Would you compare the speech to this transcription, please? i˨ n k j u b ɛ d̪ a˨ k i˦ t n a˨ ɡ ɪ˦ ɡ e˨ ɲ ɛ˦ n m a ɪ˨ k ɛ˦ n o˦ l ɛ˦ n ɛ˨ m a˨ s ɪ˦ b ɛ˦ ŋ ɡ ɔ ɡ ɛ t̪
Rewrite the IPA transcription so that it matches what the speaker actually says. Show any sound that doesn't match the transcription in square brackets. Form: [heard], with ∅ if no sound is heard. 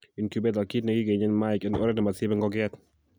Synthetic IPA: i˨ n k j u b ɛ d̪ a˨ k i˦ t n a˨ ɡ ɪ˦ ɡ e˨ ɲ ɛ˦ n m a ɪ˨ k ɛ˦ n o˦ [ɾ] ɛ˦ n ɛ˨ m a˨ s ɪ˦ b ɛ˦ ŋ ɡ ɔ ɡ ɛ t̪